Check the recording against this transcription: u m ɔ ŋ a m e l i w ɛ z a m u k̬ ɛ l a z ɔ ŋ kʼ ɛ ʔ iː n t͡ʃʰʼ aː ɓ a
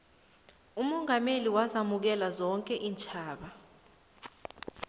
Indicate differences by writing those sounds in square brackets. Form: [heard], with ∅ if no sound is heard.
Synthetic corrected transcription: u m ɔ ŋ a m e l i w [a] z a m u k̬ ɛ l a z ɔ ŋ kʼ ɛ ʔ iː n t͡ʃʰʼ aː ɓ a